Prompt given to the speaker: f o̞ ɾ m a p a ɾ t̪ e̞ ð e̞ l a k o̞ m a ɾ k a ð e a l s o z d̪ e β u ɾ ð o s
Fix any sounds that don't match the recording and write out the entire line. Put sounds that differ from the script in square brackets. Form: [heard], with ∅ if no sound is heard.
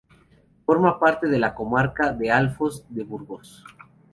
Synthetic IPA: f o̞ ɾ m a p a ɾ t̪ e̞ ð e̞ l a k o̞ m a ɾ k a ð e a l [f] o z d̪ e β u ɾ [ɣ] o s